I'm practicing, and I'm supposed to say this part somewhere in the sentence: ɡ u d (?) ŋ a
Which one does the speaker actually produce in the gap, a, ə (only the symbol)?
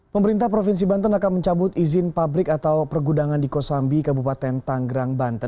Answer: a